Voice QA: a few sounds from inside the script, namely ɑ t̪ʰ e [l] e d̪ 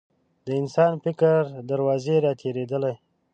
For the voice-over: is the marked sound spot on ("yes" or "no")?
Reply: no